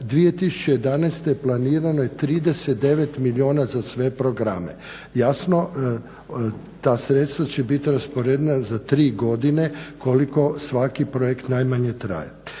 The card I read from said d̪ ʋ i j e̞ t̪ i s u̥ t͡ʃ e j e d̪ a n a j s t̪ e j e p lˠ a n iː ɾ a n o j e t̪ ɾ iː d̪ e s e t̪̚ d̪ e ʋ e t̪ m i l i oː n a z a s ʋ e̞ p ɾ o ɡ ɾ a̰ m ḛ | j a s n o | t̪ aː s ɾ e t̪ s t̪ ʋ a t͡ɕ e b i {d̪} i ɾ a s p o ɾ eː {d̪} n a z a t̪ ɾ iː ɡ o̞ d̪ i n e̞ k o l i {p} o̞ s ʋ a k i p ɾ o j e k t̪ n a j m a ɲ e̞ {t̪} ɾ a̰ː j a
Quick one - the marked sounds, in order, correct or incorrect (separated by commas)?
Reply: incorrect, correct, incorrect, correct